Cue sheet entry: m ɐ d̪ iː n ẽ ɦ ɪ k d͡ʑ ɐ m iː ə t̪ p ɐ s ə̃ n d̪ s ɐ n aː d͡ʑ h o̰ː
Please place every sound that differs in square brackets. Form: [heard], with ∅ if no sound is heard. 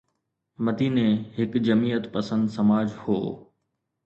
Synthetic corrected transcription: m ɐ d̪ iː n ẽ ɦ ɪ k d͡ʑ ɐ m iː ə t̪ p ɐ s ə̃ n d̪ s ɐ [m] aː d͡ʑ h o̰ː